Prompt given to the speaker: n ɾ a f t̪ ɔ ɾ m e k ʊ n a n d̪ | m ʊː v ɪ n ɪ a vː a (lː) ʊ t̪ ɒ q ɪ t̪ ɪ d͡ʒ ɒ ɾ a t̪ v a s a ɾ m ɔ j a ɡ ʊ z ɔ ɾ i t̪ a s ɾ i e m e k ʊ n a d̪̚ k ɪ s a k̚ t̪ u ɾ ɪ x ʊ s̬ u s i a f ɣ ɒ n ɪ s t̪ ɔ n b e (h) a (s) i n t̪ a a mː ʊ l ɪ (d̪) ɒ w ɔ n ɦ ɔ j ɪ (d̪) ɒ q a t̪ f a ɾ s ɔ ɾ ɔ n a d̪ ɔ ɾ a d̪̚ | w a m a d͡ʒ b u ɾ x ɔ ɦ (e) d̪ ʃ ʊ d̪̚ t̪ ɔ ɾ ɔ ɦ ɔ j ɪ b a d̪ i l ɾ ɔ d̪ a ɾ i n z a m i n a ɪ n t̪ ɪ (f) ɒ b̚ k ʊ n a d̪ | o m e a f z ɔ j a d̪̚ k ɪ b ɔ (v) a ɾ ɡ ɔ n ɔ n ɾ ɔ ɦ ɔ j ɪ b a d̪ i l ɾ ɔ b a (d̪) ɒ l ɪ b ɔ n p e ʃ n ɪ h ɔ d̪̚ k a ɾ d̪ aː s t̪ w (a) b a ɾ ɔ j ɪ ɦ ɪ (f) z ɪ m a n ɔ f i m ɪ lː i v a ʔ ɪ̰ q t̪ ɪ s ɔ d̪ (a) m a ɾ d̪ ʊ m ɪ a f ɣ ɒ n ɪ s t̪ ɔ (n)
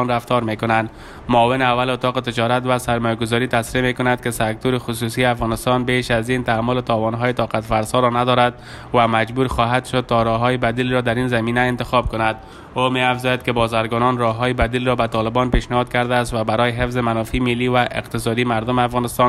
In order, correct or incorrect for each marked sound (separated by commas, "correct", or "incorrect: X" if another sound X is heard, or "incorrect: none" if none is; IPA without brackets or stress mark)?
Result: incorrect: l, incorrect: ʃ, incorrect: z, incorrect: t̪, incorrect: t̪, incorrect: a, incorrect: x, incorrect: z, incorrect: t̪, correct, correct, incorrect: i, correct